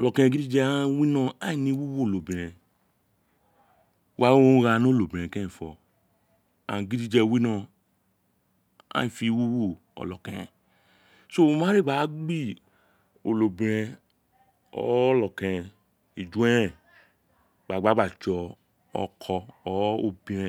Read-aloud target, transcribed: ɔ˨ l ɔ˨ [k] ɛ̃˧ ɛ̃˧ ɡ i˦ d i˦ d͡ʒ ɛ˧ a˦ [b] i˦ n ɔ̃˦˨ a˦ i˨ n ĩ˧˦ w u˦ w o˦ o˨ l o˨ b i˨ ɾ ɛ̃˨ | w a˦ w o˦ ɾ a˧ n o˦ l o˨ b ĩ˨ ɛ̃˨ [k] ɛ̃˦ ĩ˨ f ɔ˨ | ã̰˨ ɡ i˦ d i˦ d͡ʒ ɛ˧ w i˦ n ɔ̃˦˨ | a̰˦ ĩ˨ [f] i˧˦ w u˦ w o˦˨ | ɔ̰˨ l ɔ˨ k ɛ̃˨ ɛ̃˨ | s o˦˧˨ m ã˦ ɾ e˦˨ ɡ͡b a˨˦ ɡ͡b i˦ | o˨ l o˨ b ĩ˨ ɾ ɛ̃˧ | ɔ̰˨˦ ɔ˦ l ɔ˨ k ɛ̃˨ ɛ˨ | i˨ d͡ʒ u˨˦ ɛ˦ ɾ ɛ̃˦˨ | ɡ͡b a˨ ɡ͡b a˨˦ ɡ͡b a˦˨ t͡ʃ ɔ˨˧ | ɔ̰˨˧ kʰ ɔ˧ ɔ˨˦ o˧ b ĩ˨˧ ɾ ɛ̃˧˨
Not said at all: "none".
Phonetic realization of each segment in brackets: k, w, k, f

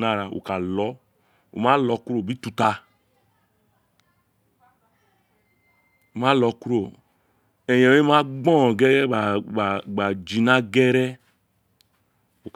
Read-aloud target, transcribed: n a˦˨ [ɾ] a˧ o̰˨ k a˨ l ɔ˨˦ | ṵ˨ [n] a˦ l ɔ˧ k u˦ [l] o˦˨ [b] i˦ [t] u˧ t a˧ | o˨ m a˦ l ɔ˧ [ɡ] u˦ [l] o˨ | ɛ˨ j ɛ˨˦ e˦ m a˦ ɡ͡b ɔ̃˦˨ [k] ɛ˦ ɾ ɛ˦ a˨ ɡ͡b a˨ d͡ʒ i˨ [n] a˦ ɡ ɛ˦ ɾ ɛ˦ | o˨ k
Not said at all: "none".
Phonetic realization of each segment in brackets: ɾ, m, ɾ, b, t, k, ɾ, ɡ, n

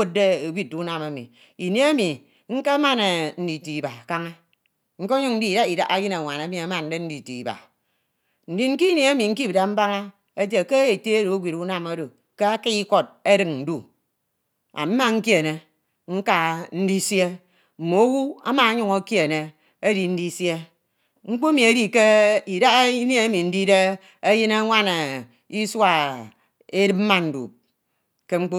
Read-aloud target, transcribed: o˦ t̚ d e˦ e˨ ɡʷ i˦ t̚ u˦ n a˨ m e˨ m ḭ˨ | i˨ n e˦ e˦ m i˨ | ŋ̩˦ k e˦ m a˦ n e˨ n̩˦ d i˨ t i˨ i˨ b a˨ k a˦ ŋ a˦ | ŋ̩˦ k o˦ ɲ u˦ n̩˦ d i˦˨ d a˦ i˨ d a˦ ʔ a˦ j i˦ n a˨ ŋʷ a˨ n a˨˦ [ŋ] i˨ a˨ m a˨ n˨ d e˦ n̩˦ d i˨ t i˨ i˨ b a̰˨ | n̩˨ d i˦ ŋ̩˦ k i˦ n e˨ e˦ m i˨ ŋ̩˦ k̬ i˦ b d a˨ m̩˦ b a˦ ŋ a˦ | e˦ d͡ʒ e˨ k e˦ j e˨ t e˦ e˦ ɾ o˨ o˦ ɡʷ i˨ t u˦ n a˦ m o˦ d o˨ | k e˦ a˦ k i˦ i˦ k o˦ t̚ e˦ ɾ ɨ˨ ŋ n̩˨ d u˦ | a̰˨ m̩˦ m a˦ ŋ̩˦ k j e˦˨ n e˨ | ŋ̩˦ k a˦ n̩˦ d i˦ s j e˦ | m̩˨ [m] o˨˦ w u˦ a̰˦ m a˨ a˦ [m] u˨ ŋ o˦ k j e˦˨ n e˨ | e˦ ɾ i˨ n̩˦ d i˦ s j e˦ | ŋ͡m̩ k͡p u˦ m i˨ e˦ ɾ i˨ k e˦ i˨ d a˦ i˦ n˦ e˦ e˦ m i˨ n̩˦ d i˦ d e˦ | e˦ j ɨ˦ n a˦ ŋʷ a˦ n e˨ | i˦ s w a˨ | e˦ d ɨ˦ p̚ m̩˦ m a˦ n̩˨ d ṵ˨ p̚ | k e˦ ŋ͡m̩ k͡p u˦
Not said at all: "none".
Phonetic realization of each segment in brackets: m, m, ɲ

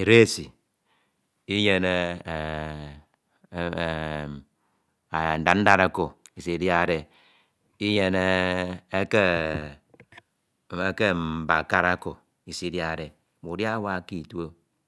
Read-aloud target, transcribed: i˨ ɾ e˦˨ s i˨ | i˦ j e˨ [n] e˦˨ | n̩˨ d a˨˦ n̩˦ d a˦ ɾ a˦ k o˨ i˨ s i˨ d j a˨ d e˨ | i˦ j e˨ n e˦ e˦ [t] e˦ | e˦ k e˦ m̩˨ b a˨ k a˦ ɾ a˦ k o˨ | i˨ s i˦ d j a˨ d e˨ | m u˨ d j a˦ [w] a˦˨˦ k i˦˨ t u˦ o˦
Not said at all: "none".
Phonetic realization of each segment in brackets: n, k, w

